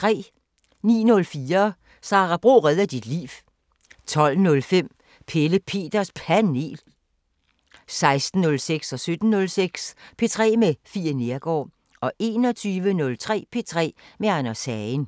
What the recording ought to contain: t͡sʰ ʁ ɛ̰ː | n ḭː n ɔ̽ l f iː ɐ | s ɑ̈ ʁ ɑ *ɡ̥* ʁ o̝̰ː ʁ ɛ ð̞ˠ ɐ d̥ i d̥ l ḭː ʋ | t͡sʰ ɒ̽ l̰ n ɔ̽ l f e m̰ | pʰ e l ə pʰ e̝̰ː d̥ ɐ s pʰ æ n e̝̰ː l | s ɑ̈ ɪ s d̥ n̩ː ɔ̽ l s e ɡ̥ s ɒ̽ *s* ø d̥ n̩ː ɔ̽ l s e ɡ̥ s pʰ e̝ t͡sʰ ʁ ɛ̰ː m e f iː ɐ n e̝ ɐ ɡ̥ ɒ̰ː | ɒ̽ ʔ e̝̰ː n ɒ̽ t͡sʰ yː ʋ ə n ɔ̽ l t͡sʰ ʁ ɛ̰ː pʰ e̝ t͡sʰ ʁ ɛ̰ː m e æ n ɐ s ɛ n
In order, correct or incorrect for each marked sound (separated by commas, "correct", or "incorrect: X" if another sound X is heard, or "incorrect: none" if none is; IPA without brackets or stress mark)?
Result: incorrect: b̥, correct